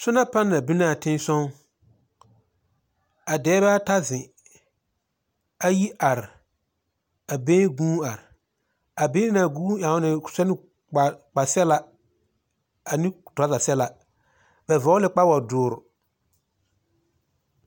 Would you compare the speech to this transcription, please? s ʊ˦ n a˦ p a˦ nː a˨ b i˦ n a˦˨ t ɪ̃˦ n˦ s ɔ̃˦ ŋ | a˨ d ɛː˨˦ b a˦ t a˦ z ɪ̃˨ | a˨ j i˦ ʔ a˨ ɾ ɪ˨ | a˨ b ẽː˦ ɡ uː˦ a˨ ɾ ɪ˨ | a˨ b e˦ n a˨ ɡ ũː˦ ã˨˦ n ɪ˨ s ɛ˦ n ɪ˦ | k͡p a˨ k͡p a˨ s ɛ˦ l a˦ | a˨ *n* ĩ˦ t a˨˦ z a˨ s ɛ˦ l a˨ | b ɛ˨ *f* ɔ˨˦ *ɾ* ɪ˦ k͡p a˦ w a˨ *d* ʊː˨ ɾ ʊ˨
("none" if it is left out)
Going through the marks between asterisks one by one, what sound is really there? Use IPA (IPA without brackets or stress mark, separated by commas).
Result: n, v, l, d